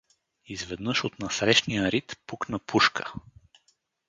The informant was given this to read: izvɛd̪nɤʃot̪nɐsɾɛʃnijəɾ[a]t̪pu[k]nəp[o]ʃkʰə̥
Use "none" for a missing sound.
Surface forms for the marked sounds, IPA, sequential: i, k, u

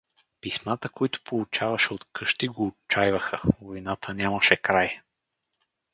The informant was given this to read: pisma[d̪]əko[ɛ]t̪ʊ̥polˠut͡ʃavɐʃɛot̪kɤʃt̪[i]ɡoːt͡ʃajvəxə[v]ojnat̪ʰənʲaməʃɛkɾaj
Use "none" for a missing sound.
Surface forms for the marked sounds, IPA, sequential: t̪, i, i, v

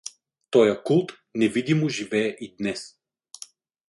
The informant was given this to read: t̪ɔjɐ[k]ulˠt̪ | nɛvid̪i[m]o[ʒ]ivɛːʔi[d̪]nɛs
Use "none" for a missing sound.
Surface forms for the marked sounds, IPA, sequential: k, m, ʒ, d̪

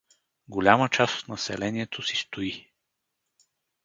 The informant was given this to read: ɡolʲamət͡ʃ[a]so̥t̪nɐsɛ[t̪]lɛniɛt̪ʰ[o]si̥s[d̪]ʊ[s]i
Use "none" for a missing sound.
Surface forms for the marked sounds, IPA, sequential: a, none, o, t̪, none

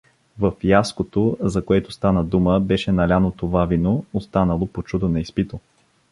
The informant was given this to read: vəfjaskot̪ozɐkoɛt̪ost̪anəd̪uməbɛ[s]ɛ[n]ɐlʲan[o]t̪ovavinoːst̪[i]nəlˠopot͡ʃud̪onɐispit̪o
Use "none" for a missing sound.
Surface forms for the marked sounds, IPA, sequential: ʃ, n, o, a

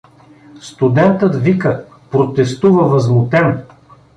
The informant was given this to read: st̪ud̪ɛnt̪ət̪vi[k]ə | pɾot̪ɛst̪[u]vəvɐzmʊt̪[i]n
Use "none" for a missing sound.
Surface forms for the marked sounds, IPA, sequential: k, u, ɛ

